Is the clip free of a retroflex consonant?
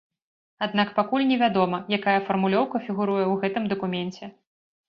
yes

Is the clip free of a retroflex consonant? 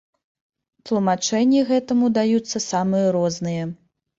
no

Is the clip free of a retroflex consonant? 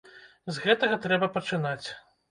no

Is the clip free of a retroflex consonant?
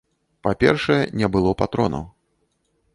no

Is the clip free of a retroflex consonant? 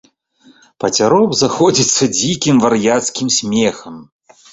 yes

